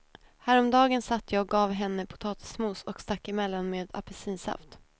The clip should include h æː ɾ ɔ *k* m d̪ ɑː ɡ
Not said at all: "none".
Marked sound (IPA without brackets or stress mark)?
none